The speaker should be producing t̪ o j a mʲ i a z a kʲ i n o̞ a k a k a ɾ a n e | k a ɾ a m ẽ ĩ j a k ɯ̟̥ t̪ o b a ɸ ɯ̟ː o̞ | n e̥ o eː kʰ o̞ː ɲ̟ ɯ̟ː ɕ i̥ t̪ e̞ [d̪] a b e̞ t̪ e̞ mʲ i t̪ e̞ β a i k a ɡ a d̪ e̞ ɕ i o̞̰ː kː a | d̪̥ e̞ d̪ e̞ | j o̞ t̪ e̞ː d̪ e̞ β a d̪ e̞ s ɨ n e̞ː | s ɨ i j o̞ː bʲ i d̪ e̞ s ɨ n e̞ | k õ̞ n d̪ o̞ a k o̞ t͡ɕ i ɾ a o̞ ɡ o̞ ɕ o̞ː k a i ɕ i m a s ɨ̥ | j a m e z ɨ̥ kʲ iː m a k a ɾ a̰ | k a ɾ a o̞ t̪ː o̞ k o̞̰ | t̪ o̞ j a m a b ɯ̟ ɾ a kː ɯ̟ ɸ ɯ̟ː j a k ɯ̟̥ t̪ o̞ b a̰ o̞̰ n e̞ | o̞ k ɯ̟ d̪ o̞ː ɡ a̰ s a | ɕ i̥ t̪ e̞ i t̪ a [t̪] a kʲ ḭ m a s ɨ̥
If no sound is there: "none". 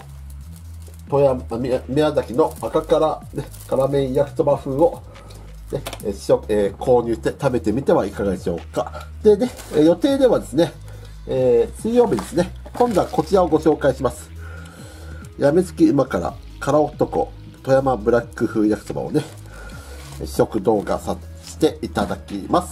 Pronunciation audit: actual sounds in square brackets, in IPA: t̪, d̪

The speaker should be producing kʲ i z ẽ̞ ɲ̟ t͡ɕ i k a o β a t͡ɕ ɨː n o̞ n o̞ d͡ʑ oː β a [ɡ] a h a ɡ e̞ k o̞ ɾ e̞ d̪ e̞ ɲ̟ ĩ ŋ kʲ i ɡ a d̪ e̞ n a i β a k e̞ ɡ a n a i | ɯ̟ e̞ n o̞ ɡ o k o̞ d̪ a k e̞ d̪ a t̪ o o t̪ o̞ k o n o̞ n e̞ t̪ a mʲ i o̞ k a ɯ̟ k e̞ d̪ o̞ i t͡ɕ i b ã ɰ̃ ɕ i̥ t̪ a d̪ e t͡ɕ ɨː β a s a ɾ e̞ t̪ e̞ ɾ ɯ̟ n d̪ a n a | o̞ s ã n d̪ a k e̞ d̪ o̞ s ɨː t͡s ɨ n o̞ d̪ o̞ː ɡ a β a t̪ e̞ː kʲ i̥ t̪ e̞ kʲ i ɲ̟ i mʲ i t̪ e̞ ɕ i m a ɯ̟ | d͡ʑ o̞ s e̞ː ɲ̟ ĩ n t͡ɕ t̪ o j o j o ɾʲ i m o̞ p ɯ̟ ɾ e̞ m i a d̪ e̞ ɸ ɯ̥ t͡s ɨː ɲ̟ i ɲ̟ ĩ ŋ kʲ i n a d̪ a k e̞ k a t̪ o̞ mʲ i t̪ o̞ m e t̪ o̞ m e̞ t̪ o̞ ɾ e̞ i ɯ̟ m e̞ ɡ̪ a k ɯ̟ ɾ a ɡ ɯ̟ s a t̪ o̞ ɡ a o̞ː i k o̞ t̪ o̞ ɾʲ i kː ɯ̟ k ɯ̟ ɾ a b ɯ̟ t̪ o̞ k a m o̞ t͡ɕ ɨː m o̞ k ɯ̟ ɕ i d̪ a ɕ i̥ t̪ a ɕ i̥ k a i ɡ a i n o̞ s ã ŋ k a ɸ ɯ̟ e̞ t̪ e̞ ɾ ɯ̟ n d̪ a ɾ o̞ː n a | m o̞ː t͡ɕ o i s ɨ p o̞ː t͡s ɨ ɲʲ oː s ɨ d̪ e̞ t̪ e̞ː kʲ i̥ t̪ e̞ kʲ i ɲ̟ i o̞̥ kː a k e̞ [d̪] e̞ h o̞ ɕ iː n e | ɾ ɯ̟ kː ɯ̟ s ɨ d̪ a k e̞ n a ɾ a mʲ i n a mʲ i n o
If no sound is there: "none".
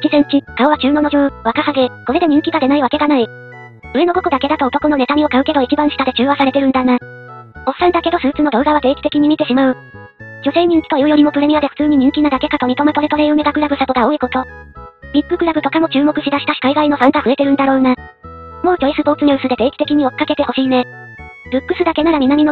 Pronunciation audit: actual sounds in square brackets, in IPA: k, t̪

